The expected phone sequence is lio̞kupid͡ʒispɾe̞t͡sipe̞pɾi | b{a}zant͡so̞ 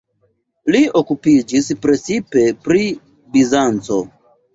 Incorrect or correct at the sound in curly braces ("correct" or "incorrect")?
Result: incorrect